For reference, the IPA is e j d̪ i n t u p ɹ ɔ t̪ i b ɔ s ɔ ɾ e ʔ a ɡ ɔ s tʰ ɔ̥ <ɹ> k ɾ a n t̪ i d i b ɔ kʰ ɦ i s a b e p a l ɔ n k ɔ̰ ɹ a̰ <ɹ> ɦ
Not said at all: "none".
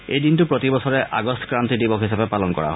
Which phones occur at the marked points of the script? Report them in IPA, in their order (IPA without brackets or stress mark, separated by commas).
none, none